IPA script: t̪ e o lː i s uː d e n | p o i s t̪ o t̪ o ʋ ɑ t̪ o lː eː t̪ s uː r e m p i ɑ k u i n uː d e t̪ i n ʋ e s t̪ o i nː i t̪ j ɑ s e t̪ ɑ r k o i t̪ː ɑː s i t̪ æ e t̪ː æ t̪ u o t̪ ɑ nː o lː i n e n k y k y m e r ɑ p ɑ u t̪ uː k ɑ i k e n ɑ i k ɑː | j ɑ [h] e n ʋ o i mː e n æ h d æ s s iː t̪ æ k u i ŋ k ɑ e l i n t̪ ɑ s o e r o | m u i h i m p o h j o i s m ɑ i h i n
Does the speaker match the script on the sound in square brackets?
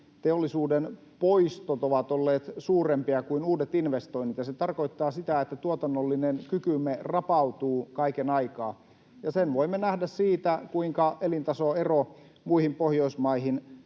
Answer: no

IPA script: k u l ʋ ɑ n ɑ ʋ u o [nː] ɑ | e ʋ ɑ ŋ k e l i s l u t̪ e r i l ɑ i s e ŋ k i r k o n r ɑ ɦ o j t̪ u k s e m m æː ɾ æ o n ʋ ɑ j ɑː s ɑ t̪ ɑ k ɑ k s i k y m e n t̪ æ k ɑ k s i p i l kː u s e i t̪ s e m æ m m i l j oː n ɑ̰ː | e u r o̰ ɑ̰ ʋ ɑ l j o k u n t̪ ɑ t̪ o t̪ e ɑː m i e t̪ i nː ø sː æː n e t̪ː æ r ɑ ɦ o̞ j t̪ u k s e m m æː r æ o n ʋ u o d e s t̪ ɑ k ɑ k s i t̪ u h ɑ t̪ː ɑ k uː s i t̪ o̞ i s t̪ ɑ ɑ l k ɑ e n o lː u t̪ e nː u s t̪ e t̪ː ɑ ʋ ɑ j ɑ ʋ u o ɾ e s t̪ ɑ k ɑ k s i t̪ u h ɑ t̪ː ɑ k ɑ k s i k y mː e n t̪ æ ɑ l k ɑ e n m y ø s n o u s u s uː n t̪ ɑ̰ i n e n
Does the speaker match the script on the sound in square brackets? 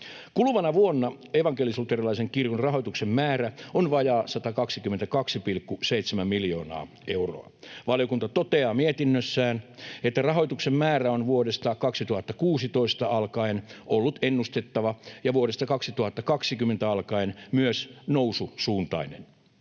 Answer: yes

